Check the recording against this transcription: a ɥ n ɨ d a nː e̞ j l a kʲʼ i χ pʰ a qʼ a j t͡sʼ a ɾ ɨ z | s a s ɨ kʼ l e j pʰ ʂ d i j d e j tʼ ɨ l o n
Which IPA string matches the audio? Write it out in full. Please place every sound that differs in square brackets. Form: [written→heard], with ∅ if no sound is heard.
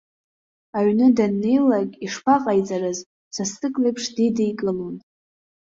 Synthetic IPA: a ɥ n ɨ d a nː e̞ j l a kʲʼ i [χ→ʂ] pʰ a qʼ a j t͡sʼ a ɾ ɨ z | s a s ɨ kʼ l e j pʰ ʂ d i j d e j [tʼ→kʼ] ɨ l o n